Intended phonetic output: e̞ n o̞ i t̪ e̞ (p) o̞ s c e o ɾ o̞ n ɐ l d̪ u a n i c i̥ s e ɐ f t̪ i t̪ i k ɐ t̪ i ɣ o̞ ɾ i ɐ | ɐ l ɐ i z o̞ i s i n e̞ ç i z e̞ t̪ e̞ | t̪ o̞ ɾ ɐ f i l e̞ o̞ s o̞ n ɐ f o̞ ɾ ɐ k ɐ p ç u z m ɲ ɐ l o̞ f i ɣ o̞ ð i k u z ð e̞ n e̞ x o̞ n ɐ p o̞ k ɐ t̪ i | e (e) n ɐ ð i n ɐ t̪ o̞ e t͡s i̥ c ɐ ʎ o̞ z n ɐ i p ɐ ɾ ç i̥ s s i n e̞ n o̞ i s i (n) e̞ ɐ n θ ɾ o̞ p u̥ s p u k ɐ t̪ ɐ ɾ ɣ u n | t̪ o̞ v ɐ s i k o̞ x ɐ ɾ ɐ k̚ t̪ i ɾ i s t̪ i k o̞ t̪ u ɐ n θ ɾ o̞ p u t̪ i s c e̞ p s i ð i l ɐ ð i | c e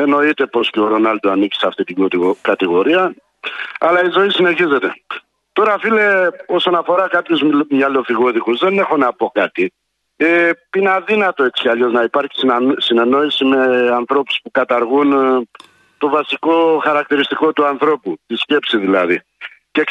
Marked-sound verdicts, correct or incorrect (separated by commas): correct, incorrect, incorrect